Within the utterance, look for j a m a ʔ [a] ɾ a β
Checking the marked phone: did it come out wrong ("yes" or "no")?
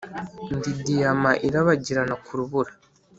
yes